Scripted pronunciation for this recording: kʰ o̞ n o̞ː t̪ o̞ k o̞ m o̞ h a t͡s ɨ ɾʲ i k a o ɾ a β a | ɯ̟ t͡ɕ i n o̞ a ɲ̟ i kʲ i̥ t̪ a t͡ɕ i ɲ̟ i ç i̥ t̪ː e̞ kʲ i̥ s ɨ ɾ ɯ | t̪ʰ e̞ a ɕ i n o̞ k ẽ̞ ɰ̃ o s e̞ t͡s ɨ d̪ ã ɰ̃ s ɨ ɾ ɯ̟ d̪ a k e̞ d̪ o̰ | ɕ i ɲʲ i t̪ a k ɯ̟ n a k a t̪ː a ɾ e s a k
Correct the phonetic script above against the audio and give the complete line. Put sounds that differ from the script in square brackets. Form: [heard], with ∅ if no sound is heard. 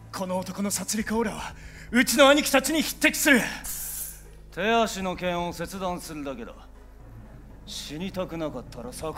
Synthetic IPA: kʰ o̞ n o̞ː t̪ o̞ k o̞ [n] o̞ [s] a t͡s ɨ ɾʲ i k a o ɾ a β a | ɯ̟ t͡ɕ i n o̞ a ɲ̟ i kʲ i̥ t̪ a t͡ɕ i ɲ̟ i ç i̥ t̪ː e̞ kʲ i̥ s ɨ ɾ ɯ | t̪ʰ e̞ a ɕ i n o̞ k ẽ̞ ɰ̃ o s e̞ t͡s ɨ d̪ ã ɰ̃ s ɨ ɾ ɯ̟ d̪ a k e̞ d̪ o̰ | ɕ i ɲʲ i t̪ a k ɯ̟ n a k a t̪ː a ɾ [a] s a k